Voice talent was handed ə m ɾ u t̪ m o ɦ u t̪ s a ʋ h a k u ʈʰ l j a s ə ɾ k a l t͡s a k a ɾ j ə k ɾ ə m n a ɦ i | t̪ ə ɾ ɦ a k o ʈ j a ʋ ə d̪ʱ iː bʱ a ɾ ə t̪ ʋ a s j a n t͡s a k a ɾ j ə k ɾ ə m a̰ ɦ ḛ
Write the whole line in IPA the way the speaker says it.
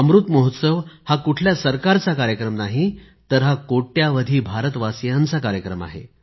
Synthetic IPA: ə m ɾ u t̪ m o ɦ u t̪ s ə ʋ h a k u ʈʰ l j a s ə ɾ k a ɾ t͡s a k a ɾ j ə k ɾ ə m n a ɦ i | t̪ ə ɾ ɦ a k o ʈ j a ʋ ə d̪ʱ iː bʱ a ɾ ə t̪ ʋ a s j a n t͡s a k a ɾ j ə k ɾ ə m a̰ ɦ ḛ